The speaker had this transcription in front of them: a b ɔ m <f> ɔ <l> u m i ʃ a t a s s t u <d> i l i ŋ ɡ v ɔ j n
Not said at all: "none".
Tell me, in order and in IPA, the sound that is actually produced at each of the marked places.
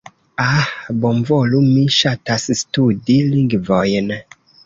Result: v, l, d

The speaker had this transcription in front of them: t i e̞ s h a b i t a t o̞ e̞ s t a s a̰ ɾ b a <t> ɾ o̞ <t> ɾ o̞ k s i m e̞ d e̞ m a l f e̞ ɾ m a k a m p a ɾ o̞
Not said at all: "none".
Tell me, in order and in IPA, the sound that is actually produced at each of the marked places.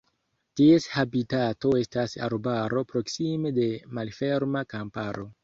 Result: none, p

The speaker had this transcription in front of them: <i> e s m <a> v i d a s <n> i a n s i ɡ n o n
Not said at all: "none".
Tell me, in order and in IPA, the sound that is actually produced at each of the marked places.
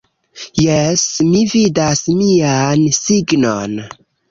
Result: j, i, m

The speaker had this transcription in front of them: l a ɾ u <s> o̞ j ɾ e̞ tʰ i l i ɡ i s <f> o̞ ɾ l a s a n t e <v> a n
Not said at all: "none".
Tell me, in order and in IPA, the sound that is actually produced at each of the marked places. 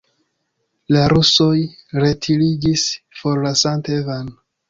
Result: s, f, v

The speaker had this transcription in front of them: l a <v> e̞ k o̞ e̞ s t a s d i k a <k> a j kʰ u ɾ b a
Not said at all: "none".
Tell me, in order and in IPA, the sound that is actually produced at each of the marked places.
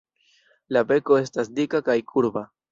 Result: b, k

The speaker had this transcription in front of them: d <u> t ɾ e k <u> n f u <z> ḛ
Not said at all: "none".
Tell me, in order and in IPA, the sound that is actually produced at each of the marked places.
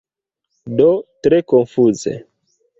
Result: o, o, z

